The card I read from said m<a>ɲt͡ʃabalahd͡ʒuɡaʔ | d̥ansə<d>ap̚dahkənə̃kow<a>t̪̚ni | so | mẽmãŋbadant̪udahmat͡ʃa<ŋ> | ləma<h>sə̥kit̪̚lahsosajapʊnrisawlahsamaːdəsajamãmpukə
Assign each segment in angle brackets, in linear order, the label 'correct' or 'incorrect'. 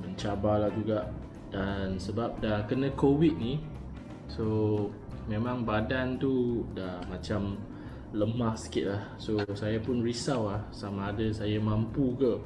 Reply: incorrect: ə, incorrect: b, incorrect: i, incorrect: m, correct

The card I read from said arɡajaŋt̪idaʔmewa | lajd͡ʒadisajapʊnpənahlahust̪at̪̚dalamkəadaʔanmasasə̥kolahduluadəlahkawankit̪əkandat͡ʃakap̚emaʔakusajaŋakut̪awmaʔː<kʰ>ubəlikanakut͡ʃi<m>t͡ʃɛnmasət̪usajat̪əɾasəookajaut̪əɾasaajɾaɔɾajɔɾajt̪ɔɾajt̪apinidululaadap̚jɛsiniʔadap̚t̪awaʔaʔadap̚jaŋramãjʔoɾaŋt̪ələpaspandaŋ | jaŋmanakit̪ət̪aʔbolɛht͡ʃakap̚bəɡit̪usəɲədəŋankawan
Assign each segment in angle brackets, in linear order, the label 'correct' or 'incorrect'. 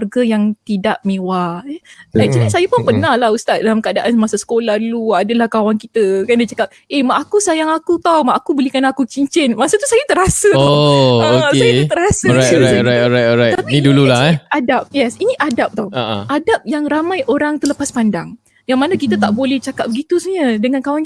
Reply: incorrect: k, incorrect: ɲ

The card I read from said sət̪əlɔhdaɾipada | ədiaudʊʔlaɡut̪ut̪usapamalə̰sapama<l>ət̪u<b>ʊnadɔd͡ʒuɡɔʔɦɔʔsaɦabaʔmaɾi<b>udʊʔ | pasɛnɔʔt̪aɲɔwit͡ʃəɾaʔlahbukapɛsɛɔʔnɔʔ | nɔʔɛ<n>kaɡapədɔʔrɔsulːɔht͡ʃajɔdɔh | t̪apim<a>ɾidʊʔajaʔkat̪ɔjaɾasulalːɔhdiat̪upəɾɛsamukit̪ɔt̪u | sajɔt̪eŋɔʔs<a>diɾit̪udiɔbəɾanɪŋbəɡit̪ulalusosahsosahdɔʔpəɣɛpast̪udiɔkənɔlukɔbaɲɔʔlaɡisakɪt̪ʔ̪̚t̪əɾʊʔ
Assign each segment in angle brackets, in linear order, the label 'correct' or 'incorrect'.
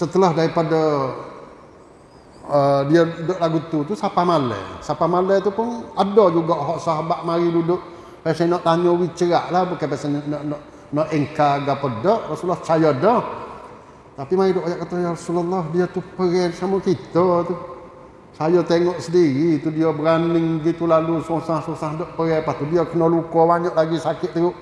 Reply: correct, incorrect: p, incorrect: d, incorrect: ŋ, correct, incorrect: ə

